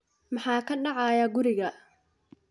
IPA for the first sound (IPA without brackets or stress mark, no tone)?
m